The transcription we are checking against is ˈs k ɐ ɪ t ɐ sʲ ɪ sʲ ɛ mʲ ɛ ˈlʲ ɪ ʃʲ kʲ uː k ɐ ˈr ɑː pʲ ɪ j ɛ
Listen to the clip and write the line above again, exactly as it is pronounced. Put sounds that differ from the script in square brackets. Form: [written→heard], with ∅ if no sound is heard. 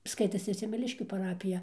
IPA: ˈs k ɐ ɪ t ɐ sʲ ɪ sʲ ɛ mʲ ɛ ˈlʲ ɪ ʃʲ kʲ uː [k→p] ɐ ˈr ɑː pʲ ɪ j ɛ